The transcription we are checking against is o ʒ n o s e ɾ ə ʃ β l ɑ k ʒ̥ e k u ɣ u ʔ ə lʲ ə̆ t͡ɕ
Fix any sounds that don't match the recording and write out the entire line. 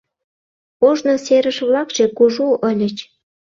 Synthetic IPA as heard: o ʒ n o s e ɾ ə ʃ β l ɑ k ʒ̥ e k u ʒ u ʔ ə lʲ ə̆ t͡ɕ

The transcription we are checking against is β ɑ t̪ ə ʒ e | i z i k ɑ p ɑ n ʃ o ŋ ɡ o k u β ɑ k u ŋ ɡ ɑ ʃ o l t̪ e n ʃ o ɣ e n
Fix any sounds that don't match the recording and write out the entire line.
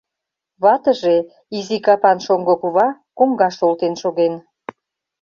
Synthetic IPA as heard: β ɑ t̪ ə ʒ e | i z i k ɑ p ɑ n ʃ o ŋ ɡ o k u β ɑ k o ŋ ɡ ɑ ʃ o l t̪ e n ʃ o ɣ e n

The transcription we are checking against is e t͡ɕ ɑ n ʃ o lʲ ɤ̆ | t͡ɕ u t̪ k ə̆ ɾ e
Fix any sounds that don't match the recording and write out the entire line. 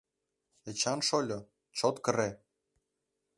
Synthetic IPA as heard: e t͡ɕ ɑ n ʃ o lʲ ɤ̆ | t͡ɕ o t̪ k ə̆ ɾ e

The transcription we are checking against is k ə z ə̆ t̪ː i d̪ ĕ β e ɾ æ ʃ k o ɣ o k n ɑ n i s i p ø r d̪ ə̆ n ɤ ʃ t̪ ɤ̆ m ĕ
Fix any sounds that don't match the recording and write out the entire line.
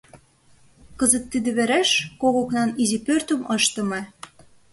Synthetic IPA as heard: k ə z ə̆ t̪ː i d̪ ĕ β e ɾ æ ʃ k o ɣ o k n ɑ n i z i p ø r t̪ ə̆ m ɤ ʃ t̪ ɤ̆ m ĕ

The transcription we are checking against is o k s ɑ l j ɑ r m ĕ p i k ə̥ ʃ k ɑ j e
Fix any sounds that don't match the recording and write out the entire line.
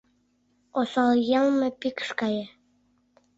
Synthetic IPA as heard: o s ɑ l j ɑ l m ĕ p i k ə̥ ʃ k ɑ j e

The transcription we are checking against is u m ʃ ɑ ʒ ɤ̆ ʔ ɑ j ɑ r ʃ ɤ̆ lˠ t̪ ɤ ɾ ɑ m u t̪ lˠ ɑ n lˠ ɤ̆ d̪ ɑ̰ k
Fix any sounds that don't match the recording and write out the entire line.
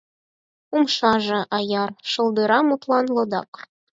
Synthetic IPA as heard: u m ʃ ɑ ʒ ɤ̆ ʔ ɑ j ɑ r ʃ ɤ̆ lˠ d̪ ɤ ɾ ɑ m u t̪ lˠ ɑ n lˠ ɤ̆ d̪ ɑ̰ k

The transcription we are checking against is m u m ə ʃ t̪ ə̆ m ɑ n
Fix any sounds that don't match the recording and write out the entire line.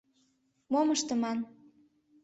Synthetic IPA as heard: m o m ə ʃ t̪ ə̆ m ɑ n

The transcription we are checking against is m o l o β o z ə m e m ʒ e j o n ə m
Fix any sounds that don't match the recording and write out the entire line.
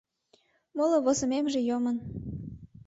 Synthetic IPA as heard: m o l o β o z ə m e m ʒ e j o m ə n

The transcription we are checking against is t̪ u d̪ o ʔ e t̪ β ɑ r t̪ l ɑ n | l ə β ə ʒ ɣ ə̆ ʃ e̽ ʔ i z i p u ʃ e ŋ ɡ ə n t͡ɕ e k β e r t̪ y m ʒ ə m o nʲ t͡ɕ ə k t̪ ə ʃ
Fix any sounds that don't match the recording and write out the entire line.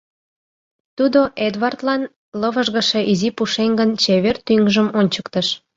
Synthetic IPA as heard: t̪ u d̪ o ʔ e d̪ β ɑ r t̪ l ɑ n | l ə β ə ʒ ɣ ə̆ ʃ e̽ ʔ i z i p u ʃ e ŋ ɡ ə n t͡ɕ e β e r t̪ y ŋ ʒ ə m o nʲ t͡ɕ ə k t̪ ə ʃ

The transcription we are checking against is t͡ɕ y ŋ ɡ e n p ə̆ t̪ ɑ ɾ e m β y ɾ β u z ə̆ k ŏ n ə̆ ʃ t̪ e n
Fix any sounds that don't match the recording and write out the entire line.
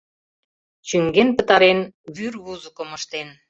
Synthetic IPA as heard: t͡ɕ y ŋ ɡ e n p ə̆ t̪ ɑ ɾ e n β y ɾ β u z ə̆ k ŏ m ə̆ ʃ t̪ e n

